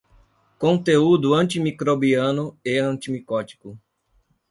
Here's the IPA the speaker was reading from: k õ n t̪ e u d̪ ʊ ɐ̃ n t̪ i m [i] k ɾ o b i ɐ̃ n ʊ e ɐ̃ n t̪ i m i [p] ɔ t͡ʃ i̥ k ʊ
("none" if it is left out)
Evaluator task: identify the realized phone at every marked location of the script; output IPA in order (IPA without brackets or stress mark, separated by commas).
i, k